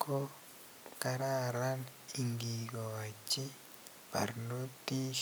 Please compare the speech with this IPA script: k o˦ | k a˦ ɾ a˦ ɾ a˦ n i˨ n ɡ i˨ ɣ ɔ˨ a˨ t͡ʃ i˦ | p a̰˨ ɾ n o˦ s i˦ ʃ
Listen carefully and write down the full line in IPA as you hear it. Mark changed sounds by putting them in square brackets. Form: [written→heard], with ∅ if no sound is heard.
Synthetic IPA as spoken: k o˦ | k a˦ ɾ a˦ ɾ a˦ n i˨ [n→ŋ] ɡ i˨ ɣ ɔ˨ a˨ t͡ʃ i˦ | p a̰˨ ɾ n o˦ [s→t] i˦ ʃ